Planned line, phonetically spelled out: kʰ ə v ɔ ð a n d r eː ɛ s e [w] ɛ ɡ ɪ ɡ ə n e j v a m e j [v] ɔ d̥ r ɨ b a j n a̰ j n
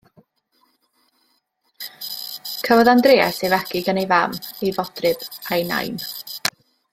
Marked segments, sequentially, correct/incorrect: incorrect: v, correct

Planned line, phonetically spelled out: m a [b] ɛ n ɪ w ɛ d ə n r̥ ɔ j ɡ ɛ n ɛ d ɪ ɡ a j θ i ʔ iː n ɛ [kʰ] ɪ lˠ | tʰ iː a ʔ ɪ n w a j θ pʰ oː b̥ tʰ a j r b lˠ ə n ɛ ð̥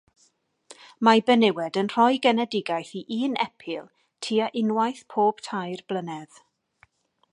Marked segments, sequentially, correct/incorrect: correct, incorrect: pʰ

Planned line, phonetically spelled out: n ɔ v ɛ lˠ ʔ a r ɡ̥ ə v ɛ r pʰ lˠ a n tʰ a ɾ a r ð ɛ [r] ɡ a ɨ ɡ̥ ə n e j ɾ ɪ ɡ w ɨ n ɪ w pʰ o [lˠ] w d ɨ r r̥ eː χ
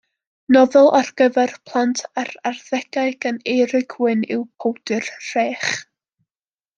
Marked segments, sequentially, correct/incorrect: incorrect: none, incorrect: none

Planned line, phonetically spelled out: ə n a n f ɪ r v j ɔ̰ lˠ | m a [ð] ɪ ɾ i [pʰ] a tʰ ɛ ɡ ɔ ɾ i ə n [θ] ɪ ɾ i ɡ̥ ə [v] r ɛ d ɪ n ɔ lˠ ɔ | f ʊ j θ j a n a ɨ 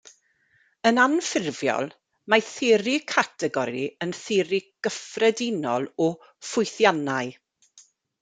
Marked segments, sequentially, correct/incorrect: incorrect: θ, incorrect: kʰ, correct, incorrect: f

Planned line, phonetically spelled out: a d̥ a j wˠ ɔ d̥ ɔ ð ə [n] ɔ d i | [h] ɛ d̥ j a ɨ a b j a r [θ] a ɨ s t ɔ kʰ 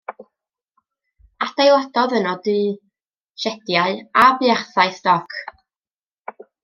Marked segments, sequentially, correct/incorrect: correct, incorrect: ʃ, correct

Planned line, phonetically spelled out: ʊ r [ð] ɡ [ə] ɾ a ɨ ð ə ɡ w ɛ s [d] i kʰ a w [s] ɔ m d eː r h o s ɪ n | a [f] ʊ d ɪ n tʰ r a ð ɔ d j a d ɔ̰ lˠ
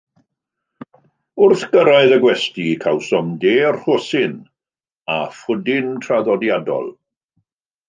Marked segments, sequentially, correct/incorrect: incorrect: θ, correct, incorrect: t, correct, correct

